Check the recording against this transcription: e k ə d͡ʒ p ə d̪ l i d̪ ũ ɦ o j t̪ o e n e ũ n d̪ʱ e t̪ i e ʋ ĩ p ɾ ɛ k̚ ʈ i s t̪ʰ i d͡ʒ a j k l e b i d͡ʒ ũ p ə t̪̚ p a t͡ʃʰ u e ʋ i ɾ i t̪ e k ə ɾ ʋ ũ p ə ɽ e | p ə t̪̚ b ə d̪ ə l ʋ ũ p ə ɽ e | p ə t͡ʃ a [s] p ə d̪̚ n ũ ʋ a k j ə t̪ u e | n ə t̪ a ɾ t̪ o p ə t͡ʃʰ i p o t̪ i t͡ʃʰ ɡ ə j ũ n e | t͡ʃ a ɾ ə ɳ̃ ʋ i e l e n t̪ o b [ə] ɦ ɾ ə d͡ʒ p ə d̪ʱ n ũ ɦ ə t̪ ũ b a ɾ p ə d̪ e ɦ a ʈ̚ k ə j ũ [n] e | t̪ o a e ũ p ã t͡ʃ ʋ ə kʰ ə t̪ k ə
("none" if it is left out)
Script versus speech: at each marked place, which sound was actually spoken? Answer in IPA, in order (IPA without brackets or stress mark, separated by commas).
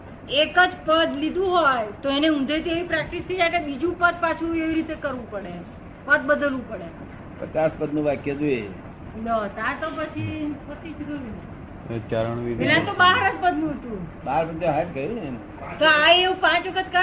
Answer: s, a, n